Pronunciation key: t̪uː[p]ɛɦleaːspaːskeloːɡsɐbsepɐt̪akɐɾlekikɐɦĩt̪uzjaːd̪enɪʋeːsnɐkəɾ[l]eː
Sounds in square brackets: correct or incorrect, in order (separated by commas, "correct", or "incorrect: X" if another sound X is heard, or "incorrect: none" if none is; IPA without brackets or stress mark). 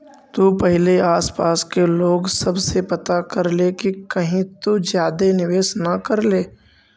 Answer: correct, correct